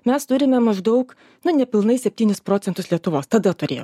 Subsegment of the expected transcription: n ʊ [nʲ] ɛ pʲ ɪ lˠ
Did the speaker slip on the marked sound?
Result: no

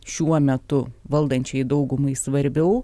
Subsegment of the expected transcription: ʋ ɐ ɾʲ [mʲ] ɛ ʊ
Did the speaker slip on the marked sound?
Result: yes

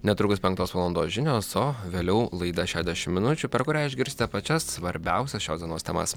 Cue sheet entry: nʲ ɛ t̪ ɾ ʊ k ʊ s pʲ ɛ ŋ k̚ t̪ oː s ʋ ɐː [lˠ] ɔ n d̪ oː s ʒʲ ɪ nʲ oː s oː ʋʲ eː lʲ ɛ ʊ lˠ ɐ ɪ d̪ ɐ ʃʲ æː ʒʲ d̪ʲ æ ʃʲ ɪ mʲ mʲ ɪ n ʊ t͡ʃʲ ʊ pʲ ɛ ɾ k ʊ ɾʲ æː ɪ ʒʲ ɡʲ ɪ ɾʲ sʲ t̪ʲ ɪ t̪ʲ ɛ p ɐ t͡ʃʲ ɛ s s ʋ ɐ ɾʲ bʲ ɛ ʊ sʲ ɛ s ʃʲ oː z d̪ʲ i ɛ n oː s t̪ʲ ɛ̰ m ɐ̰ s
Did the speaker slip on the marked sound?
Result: no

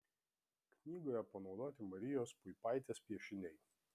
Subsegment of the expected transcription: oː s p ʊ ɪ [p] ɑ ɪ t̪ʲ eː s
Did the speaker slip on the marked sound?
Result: no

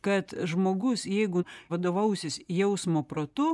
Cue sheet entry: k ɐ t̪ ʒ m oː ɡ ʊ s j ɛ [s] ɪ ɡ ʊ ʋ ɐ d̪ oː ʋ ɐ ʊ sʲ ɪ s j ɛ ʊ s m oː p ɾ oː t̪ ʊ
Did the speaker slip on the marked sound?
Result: yes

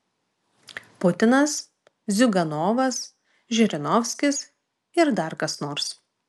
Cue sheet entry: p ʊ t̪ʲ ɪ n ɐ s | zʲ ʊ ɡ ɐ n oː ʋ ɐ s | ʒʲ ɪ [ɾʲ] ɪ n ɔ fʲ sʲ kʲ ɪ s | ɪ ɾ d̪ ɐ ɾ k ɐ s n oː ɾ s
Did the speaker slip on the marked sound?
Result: no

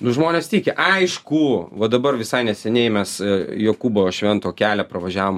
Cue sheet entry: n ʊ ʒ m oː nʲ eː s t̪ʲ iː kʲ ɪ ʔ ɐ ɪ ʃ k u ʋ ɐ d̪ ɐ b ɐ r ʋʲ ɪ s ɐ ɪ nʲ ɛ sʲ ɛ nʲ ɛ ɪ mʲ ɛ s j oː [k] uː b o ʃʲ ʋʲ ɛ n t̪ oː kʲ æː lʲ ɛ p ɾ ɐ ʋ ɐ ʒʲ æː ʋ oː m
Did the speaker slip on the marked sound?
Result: no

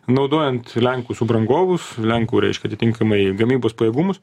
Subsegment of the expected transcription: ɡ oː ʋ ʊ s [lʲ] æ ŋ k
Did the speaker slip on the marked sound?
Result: no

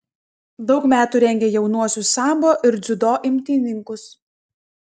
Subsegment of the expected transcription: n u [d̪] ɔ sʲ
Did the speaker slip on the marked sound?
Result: yes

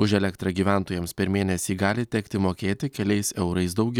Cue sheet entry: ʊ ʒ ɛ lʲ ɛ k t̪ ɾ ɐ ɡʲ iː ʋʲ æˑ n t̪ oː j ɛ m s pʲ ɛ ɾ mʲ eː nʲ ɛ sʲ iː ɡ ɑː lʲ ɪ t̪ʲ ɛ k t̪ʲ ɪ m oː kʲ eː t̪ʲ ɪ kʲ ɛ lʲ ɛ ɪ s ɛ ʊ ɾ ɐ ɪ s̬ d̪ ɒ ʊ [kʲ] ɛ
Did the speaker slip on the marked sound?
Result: yes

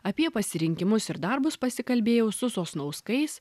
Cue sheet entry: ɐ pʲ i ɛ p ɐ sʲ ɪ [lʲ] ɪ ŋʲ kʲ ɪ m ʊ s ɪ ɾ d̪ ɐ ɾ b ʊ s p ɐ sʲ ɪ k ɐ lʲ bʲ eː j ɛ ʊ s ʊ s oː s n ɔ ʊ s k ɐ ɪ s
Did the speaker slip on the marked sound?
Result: yes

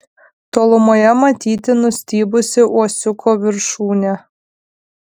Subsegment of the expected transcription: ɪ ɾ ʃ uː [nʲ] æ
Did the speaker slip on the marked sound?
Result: no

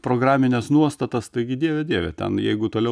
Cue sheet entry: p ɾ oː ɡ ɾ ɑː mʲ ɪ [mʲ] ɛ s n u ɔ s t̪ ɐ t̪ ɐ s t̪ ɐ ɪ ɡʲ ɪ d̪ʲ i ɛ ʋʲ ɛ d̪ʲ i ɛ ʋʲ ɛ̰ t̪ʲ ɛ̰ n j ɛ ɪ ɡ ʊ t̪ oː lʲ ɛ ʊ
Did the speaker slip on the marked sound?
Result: yes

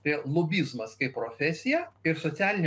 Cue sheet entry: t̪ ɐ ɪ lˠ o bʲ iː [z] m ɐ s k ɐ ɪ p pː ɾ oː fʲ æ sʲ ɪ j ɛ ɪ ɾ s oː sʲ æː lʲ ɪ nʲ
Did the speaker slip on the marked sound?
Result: no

